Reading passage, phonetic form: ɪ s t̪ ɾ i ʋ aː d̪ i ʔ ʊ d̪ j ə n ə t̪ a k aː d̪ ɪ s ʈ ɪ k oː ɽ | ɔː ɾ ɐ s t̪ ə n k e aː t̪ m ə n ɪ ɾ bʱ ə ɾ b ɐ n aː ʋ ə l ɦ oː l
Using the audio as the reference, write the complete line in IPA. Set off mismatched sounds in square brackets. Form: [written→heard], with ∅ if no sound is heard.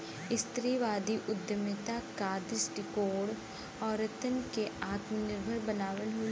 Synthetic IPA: ɪ s t̪ ɾ i ʋ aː d̪ i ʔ ʊ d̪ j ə [n→m] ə t̪ a k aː d̪ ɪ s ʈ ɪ k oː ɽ | ɔː ɾ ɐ [s→∅] t̪ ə n k e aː t̪ m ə n ɪ ɾ bʱ ə ɾ b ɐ n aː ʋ ə l ɦ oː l

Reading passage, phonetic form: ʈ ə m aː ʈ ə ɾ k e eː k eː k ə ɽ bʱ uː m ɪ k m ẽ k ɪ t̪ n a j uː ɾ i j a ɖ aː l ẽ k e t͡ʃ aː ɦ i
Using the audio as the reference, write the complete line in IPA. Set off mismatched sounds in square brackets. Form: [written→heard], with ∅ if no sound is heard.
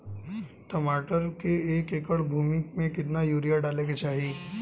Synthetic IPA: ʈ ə m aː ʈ ə ɾ k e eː k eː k ə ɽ bʱ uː m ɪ k m ẽ k ɪ t̪ n a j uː ɾ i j a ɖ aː l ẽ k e t͡ʃ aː ɦ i

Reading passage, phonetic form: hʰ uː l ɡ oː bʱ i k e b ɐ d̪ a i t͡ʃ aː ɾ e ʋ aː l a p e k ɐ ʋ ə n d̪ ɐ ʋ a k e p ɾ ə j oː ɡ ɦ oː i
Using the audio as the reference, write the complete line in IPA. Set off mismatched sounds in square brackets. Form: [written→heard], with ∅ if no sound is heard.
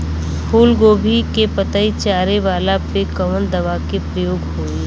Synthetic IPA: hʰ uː l ɡ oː bʱ i k e [b→p] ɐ [d̪→t̪] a i t͡ʃ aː ɾ e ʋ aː l a p e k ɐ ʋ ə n d̪ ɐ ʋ a k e p ɾ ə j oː ɡ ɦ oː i

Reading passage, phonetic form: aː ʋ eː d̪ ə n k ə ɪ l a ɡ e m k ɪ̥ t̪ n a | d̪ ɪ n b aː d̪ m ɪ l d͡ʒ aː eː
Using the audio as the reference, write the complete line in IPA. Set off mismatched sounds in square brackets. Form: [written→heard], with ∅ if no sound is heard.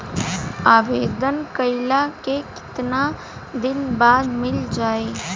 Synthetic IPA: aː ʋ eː d̪ ə n k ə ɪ l a [ɡ→k] e [m→∅] k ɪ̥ t̪ n a | d̪ ɪ n b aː d̪ m ɪ l d͡ʒ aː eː

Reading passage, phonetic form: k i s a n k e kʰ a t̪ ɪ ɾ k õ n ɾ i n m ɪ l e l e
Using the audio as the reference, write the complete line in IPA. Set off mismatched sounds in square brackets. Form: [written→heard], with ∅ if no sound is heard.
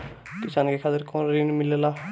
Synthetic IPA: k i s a n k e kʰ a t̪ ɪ ɾ k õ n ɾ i n m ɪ l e l [e→a]

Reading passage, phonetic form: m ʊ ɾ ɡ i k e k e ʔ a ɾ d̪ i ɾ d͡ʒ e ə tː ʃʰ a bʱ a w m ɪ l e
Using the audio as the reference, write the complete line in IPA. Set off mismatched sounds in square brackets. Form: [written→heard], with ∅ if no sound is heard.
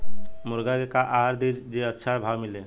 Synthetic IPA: m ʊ ɾ ɡ [i→a] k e k [e→a] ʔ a ɾ d̪ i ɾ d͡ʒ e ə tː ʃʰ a bʱ a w m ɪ l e

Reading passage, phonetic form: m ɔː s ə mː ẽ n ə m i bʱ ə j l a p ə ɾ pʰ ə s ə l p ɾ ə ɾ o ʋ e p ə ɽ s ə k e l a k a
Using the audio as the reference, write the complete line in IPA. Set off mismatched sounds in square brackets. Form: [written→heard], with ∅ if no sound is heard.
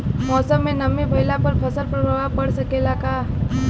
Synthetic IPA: m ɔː s ə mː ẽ n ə m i bʱ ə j l a p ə ɾ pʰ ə s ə l p ɾ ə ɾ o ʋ [e→a] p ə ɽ s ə k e l a k a

